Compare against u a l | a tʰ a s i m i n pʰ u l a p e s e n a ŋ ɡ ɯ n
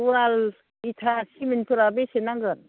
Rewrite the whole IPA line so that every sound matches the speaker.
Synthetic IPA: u a l | i tʰ a s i m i n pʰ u ɾ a b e s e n a ŋ ɡ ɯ n